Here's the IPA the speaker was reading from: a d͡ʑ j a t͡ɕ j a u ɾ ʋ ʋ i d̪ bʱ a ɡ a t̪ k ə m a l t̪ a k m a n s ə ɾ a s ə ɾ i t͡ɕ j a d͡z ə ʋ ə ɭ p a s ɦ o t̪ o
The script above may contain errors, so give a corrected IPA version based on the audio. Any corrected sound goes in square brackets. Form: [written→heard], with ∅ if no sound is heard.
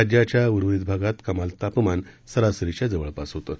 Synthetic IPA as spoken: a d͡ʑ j a t͡ɕ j a u ɾ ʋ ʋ i d̪ bʱ a ɡ a t̪ k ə m a l t̪ a [k→p] m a n s ə ɾ a s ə ɾ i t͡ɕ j a d͡z ə ʋ ə ɭ p a s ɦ o t̪ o

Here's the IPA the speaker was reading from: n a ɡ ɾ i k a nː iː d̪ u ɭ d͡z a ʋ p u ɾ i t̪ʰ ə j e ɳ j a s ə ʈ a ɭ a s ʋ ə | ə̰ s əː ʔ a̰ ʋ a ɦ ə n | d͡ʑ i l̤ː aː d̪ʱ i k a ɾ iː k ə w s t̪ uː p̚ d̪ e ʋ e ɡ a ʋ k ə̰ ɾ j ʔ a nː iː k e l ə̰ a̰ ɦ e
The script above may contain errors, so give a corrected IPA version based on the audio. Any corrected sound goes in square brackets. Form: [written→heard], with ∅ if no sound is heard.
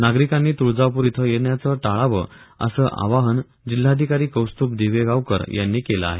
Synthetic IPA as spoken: n a ɡ ɾ i k a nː iː [d̪→t̪] u ɭ d͡z a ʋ p u ɾ i t̪ʰ ə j e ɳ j a [s→t͡s] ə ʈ a ɭ a [s→∅] ʋ ə | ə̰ s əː ʔ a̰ ʋ a ɦ ə n | d͡ʑ i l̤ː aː d̪ʱ i k a ɾ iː k ə w s t̪ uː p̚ d̪ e ʋ e ɡ a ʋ k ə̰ ɾ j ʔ a nː iː k e l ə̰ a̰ ɦ e

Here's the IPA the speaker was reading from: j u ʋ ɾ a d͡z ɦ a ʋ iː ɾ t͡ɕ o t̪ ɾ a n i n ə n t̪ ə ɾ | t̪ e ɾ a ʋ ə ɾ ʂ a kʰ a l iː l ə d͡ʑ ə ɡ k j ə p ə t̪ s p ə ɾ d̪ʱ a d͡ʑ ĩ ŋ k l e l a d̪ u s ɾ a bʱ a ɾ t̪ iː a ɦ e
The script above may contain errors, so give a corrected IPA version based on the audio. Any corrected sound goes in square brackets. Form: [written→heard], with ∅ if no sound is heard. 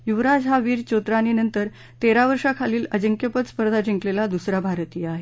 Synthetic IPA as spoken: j u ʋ ɾ a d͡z ɦ a ʋ iː ɾ t͡ɕ o t̪ ɾ a n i n ə n t̪ ə ɾ | t̪ e ɾ a ʋ ə ɾ ʂ a kʰ a l iː l ə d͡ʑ ə [ɡ→ŋ] k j ə p ə t̪ s p ə ɾ d̪ʱ a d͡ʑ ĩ ŋ k l e l a d̪ u s ɾ a bʱ a ɾ t̪ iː a ɦ e

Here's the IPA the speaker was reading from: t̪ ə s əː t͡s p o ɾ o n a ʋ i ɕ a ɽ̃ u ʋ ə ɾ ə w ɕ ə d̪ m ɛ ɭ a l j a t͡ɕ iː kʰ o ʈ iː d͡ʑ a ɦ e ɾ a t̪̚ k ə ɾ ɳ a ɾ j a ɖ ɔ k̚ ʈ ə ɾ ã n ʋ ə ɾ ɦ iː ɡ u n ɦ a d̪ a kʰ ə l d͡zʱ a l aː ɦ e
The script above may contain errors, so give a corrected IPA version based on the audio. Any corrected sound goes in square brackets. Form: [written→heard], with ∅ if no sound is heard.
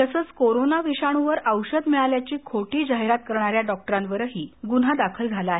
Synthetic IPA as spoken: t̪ ə s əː t͡s [p→k] o ɾ o n a ʋ i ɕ a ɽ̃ u ʋ ə ɾ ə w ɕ ə d̪ m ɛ ɭ a l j a t͡ɕ iː kʰ o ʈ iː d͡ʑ a ɦ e ɾ a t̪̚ k ə ɾ ɳ a ɾ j a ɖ ɔ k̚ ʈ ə ɾ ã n ʋ ə ɾ ɦ iː ɡ u n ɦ a d̪ a kʰ ə l d͡zʱ a l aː ɦ e

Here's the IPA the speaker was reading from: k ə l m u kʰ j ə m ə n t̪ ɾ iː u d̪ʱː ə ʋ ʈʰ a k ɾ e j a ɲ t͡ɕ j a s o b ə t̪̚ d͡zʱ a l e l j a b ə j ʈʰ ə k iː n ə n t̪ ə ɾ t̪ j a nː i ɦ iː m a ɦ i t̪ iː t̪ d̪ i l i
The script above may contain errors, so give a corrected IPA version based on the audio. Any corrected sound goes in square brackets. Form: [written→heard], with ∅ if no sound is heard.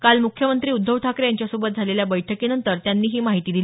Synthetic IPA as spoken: k [ə→a] l m u kʰ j ə m ə n t̪ ɾ iː u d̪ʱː ə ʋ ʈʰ a k ɾ e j a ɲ t͡ɕ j a s o b ə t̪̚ d͡zʱ a l e l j a b ə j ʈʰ ə k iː n ə n t̪ ə ɾ t̪ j a nː [i→iː] ɦ iː m a ɦ i t̪ iː [t̪→∅] d̪ i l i

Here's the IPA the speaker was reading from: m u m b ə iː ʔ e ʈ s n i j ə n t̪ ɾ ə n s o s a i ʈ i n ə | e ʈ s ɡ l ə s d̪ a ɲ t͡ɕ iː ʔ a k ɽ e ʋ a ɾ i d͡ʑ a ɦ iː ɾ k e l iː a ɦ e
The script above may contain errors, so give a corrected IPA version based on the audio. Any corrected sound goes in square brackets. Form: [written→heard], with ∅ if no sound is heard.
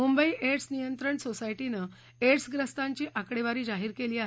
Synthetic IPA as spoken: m u m b ə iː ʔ e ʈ s n i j ə n t̪ ɾ ə [n→ɳ] s o s a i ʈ i n ə | e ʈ s ɡ [l→ɾ] ə s [d̪→t̪] a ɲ t͡ɕ iː ʔ a k ɽ e ʋ a ɾ [i→iː] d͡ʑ a ɦ iː ɾ k e l iː a ɦ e

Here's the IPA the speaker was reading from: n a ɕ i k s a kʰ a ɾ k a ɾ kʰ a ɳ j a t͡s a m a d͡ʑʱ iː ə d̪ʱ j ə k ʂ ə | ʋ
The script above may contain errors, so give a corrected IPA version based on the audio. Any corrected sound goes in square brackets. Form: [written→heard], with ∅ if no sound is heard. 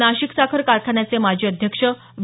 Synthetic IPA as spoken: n a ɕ i k s a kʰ [a→ə] ɾ k a ɾ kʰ a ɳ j a t͡s [a→e] m a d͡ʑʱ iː ə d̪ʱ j ə k ʂ ə | ʋ

